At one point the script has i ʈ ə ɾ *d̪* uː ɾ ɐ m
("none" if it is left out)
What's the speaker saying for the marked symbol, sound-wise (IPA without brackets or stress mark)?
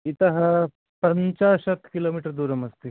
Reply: d̪